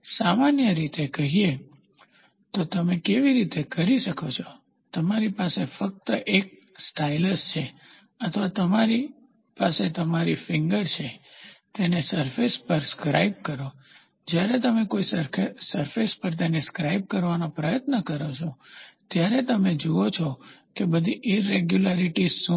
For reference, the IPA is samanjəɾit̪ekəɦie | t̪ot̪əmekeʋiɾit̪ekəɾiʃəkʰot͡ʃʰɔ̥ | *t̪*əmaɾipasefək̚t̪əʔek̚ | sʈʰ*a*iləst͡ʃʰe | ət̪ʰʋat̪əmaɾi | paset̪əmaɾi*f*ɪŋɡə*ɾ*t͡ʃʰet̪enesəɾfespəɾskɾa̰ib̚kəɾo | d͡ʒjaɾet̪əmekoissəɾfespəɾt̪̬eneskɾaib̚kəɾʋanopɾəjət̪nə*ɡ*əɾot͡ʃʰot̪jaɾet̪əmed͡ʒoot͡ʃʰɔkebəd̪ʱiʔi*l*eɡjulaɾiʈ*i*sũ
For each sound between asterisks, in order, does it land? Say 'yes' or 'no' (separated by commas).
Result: yes, yes, yes, yes, no, no, yes